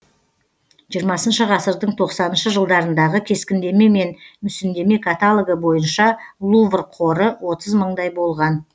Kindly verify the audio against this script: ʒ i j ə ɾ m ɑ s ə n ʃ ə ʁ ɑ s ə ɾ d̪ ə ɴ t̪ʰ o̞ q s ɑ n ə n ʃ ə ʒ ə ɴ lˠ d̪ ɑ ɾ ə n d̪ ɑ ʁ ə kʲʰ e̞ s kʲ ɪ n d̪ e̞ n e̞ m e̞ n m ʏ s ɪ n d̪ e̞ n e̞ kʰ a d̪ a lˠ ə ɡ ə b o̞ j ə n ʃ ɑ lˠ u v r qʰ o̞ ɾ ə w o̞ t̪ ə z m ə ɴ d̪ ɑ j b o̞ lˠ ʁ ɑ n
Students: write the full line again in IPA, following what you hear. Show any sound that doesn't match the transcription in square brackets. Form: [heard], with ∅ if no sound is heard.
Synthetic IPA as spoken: ʒ i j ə ɾ m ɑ s ə n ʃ ə ʁ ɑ s ə ɾ d̪ ə ɴ t̪ʰ o̞ q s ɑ n ə n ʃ ə ʒ ə [∅] lˠ d̪ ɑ ɾ ə n d̪ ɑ ʁ ə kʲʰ e̞ s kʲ ɪ n d̪ e̞ [m] e̞ m e̞ n m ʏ s ɪ n d̪ e̞ [m] e̞ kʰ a [t̪] a lˠ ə ɡ ə b o̞ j ə n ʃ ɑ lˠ u v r qʰ o̞ ɾ ə w o̞ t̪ ə z m ə ɴ d̪ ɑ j b o̞ lˠ ʁ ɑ n